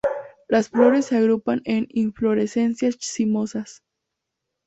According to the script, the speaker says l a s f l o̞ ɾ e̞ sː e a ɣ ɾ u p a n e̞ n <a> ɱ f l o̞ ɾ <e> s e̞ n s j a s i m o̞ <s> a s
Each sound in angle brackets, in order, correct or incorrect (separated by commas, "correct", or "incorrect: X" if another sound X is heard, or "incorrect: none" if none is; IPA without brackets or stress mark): incorrect: i, correct, correct